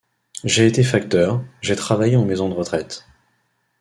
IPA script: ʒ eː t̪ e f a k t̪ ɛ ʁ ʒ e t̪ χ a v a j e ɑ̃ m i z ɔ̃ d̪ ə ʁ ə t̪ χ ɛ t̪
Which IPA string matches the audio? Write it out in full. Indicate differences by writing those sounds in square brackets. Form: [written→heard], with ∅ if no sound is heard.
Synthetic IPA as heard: ʒ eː t̪ e f a k t̪ [ɛ→œ] ʁ ʒ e t̪ χ a v a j e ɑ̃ m [i→e] z ɔ̃ d̪ ə ʁ ə t̪ χ ɛ t̪